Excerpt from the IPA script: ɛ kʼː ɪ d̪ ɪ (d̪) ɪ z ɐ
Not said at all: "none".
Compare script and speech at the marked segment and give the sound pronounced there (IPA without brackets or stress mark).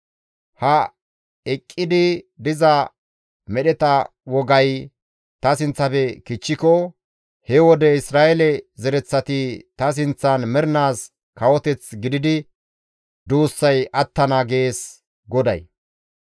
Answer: d̪